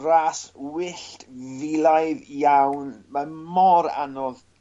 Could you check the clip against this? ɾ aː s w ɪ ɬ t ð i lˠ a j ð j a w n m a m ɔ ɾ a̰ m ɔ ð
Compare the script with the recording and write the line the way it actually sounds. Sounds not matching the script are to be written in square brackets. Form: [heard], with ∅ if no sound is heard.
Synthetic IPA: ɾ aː s w ɪ ɬ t [v] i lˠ a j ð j a w n m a m ɔ ɾ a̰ [n] ɔ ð